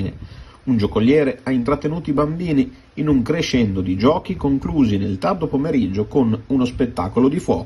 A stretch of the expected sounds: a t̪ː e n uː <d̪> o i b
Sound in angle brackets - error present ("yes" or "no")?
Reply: yes